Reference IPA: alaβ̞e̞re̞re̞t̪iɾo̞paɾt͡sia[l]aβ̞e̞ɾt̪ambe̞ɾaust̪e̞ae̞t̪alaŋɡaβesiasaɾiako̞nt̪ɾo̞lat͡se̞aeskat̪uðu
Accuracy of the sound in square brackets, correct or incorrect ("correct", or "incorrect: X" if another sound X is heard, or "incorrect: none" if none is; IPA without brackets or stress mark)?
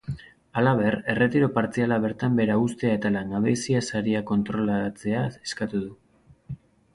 correct